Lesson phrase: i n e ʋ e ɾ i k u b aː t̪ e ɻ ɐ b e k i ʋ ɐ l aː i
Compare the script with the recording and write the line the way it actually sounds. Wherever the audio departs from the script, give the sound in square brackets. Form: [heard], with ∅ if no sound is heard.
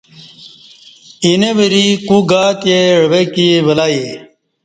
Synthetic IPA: i n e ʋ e ɾ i k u [ɡ] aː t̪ e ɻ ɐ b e k i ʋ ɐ l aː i